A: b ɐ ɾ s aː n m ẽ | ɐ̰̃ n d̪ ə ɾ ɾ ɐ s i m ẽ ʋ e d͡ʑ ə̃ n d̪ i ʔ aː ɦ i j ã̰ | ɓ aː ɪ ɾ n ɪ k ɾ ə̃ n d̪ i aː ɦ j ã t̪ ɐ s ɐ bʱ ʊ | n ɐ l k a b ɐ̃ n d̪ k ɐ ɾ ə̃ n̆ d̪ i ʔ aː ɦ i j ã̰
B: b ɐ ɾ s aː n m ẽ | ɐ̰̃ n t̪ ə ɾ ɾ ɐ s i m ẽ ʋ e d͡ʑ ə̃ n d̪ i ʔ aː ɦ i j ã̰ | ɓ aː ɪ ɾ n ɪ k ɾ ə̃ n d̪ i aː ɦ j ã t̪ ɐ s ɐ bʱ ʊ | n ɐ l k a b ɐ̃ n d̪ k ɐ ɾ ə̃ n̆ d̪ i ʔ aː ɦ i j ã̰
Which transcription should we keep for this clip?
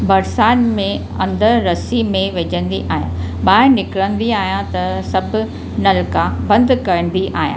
A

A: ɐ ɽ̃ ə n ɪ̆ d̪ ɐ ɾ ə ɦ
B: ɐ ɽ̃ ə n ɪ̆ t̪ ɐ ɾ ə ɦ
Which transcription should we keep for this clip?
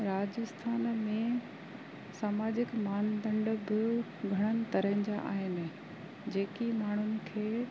B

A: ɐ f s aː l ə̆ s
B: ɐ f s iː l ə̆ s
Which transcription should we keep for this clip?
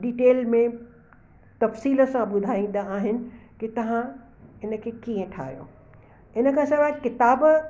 B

